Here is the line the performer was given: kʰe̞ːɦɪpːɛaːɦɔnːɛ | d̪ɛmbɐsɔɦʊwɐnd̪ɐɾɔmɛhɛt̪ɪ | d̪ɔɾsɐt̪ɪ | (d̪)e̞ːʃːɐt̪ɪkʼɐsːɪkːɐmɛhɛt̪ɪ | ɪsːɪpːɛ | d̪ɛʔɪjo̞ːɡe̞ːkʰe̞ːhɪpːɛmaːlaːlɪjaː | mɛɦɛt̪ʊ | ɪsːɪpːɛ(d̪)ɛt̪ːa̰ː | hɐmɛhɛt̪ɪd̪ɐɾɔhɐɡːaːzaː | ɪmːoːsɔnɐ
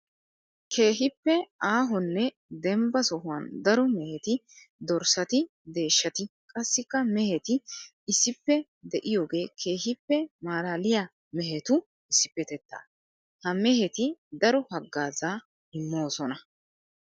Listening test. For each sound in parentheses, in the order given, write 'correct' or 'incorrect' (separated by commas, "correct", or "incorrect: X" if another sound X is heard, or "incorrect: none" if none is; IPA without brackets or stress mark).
correct, incorrect: t̪